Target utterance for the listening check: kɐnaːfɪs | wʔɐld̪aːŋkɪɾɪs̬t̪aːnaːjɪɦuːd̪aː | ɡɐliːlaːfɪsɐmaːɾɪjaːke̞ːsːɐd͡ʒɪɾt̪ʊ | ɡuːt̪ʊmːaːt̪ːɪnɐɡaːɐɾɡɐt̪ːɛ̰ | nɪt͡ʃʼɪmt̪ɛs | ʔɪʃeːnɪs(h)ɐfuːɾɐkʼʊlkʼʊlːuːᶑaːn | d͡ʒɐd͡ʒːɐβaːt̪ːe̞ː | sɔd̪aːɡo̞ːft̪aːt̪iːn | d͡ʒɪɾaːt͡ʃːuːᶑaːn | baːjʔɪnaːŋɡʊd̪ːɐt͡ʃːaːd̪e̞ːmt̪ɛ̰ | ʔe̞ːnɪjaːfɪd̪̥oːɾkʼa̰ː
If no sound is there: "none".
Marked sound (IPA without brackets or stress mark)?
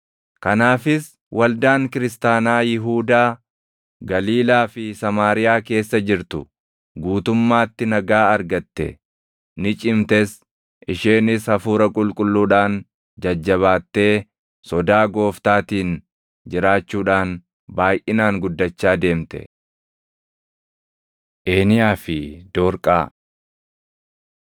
h